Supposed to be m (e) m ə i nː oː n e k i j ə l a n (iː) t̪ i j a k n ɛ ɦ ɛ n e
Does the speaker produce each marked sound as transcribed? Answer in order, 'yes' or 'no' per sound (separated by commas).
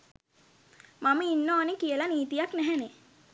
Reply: no, yes